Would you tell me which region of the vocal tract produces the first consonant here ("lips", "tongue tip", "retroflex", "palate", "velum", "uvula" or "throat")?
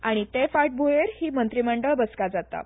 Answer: retroflex